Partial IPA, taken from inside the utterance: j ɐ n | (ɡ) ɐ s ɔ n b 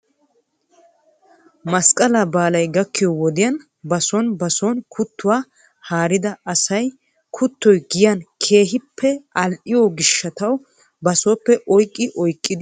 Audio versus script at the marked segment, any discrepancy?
yes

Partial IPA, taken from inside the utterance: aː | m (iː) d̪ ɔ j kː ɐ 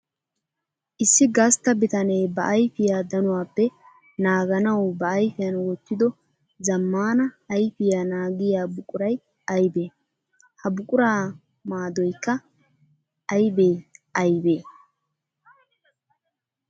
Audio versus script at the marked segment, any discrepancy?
yes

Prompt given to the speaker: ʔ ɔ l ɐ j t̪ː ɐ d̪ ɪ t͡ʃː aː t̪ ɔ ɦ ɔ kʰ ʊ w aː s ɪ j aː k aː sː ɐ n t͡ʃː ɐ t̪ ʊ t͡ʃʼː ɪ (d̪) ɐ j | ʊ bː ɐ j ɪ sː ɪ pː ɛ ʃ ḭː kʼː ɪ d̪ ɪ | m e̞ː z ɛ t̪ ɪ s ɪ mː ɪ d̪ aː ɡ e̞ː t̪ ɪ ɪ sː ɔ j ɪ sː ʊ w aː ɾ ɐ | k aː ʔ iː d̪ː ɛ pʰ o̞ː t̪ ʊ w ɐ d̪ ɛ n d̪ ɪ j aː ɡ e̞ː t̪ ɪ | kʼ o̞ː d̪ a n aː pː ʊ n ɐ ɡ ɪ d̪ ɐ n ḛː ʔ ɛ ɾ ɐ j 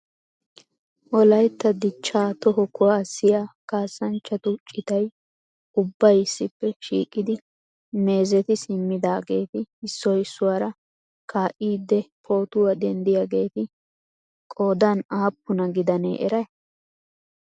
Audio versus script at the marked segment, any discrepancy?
yes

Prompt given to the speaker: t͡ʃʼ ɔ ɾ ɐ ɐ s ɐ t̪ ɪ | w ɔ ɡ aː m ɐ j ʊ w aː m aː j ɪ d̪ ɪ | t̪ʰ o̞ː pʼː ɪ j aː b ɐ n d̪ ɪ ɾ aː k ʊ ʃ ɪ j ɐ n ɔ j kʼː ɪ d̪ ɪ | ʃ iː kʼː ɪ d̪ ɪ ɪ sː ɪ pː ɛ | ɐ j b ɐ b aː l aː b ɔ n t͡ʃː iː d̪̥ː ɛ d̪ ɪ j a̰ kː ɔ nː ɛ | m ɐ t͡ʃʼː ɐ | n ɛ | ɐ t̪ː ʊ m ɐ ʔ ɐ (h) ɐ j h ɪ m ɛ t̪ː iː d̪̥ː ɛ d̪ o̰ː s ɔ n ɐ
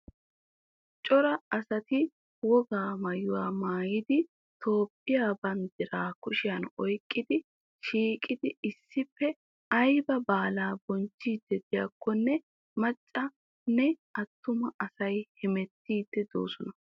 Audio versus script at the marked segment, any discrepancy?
yes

